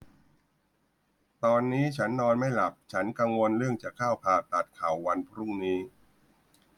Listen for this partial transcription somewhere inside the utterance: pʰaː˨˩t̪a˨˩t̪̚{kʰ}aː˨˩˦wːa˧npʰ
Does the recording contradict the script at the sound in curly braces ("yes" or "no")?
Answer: no